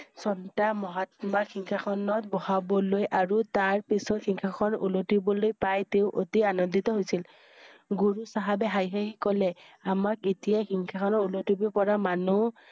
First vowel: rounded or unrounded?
rounded